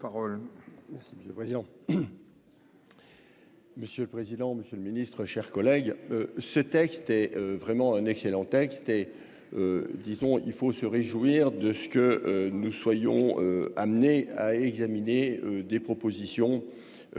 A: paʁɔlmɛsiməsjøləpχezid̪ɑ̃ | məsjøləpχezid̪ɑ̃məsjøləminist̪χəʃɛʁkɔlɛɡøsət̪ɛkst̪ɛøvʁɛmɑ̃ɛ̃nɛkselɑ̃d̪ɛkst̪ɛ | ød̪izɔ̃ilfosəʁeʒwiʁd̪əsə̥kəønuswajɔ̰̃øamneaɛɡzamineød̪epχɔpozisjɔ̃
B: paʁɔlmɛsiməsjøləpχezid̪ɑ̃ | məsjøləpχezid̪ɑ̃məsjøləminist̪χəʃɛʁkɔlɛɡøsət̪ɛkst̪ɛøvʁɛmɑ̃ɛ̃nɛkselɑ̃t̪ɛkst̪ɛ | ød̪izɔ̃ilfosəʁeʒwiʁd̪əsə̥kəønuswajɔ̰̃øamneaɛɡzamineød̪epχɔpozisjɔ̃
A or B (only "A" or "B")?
B